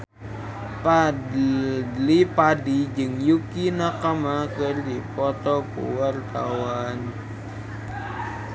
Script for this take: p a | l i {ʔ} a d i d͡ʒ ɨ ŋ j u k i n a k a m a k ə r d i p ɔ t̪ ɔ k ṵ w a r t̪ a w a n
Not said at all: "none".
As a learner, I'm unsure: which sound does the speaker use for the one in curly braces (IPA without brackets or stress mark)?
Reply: p